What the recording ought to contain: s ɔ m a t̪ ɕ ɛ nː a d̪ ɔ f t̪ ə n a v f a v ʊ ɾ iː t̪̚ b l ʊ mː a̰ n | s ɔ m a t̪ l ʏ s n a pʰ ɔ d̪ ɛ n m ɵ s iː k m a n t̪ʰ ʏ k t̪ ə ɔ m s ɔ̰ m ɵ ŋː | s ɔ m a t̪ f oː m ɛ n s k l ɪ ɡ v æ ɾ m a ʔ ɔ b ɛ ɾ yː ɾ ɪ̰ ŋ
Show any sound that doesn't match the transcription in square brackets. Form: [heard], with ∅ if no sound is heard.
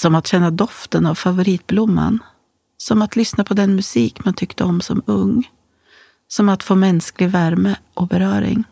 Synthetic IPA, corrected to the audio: s ɔ m a t̪ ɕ ɛ nː a d̪ ɔ f t̪ ə n a v f a v ʊ ɾ iː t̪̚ b l ʊ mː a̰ n | s ɔ m a t̪ l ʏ s n a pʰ ɔ d̪ ɛ n m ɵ s iː k m a n t̪ʰ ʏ k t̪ ə ɔ m s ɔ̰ m ɵ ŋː | s ɔ m a t̪ f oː m ɛ n s k l ɪ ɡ v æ ɾ m [ə] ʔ ɔ b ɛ ɾ [œː] ɾ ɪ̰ ŋ